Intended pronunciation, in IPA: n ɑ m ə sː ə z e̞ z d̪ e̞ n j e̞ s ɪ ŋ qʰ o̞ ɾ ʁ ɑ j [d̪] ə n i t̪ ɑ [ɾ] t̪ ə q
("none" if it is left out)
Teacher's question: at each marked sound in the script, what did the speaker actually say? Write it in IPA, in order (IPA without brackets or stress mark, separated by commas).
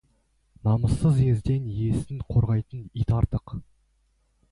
t̪, ɾ